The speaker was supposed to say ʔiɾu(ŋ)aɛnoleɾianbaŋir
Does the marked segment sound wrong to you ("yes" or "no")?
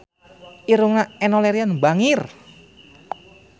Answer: no